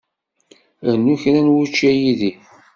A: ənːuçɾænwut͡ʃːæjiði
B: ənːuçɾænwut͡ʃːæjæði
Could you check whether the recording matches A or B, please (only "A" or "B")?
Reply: A